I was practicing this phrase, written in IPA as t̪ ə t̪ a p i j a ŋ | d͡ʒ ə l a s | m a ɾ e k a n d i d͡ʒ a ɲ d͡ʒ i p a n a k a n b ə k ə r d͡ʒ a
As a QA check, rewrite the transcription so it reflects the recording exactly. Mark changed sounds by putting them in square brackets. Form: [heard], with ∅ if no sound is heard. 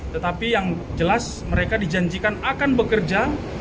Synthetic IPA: t̪ ə t̪ a p i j a ŋ | d͡ʒ ə l a s | m [ə] ɾ e k a [∅] d i d͡ʒ a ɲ d͡ʒ i [k] a n a k a n b ə k ə r d͡ʒ a